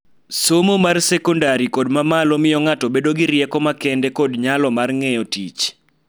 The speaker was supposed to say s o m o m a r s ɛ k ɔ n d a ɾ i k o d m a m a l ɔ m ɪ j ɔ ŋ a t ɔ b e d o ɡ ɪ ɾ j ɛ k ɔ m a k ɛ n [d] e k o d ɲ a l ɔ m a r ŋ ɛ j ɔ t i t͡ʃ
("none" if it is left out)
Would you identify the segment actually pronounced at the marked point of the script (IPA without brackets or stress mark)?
d